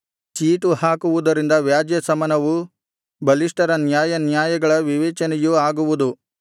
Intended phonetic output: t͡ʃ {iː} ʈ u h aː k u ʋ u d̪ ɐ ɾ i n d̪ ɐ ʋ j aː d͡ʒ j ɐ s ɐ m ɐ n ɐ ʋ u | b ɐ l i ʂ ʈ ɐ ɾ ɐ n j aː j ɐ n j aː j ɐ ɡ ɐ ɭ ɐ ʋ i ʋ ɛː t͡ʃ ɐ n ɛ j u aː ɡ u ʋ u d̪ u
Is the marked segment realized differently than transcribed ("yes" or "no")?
no